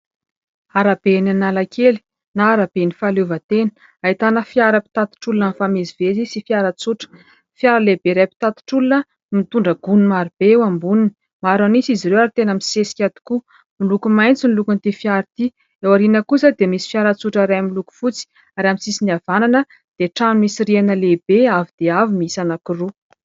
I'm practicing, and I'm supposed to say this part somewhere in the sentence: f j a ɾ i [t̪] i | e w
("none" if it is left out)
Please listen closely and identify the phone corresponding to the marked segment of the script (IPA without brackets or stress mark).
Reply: t̪